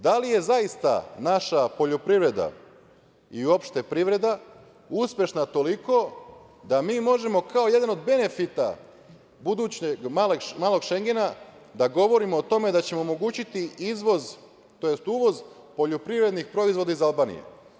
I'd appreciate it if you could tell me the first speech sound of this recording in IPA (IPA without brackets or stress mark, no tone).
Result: d̪